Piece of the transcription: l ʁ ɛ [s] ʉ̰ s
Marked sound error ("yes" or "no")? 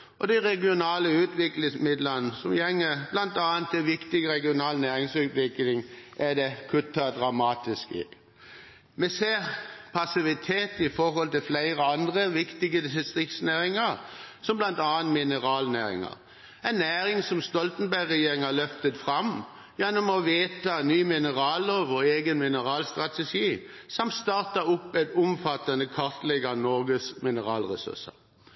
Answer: no